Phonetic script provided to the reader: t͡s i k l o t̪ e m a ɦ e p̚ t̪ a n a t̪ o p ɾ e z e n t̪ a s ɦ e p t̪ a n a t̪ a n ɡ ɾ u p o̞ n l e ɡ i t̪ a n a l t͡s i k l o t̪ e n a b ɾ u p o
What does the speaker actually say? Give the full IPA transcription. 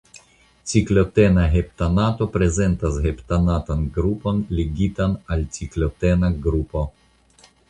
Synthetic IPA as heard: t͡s i k l o t̪ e n a ɦ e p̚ t̪ a n a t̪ o p ɾ e z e n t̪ a s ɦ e p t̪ a n a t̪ a n ɡ ɾ u p o̞ n l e ɡ i t̪ a n a l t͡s i k l o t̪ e n a ɡ ɾ u p o